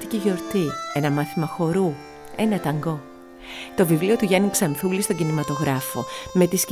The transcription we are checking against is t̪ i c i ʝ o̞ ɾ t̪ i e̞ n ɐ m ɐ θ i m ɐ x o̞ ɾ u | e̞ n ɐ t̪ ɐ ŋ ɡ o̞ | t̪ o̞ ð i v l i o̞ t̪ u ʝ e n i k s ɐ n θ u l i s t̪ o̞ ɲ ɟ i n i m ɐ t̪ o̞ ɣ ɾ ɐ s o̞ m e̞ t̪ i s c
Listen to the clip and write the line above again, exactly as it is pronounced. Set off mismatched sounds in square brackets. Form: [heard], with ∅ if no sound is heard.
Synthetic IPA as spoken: t̪ i c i ʝ o̞ ɾ t̪ i e̞ n ɐ m ɐ θ i m ɐ x o̞ ɾ u | e̞ n ɐ t̪ ɐ ŋ ɡ o̞ | t̪ o̞ [v] i v l i o̞ t̪ u ʝ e n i k s ɐ n θ u l i s t̪ o̞ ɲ ɟ i n i m ɐ t̪ o̞ ɣ ɾ ɐ [f] o̞ m e̞ t̪ i s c